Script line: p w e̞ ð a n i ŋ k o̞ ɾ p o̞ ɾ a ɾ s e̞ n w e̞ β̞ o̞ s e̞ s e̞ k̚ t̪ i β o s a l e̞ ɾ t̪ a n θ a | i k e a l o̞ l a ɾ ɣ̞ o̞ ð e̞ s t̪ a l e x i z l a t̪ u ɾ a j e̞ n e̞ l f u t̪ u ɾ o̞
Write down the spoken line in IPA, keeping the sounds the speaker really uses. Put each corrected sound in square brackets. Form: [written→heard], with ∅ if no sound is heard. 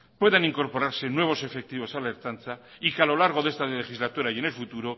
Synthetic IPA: p w e̞ ð a n i ŋ k o̞ ɾ p o̞ ɾ a ɾ s e̞ n w e̞ β̞ o̞ s e̞ [s→f] e̞ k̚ t̪ i β o s a l e̞ ɾ t̪ a n θ a | i k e a l o̞ l a ɾ ɣ̞ o̞ ð e̞ s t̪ a l e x i z l a t̪ u ɾ a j e̞ n e̞ l f u t̪ u ɾ o̞